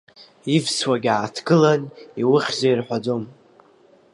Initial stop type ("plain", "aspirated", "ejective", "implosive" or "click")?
plain